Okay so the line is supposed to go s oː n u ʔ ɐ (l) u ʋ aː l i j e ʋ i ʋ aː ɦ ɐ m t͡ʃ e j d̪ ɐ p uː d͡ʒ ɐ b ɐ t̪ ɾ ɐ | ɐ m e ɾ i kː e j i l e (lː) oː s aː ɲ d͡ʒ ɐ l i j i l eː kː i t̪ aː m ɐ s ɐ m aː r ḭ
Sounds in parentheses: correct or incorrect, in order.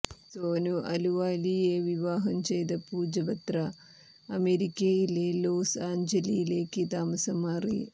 correct, incorrect: l

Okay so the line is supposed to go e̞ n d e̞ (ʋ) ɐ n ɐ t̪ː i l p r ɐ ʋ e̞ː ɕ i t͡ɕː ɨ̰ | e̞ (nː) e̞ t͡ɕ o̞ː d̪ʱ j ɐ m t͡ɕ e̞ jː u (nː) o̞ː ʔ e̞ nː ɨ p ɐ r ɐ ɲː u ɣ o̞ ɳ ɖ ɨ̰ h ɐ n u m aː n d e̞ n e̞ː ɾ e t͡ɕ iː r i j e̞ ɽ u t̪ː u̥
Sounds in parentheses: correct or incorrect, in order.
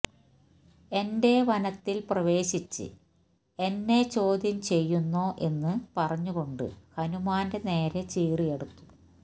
correct, correct, correct

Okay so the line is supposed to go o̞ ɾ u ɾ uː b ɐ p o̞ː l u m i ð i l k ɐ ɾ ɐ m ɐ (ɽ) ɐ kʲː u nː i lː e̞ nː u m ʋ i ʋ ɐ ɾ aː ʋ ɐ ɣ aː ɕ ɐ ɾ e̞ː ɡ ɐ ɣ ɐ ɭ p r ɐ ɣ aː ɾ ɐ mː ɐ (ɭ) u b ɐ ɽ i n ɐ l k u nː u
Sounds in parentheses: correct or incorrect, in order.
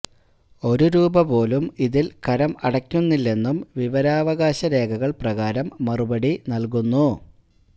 correct, incorrect: r

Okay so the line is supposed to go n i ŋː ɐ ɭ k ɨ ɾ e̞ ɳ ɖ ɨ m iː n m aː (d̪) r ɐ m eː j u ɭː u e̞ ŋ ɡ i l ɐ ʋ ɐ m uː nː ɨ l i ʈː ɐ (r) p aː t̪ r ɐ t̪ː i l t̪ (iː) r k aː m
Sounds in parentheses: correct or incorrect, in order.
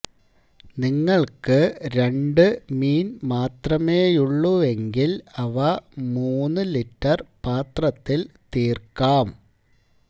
incorrect: t̪, correct, correct

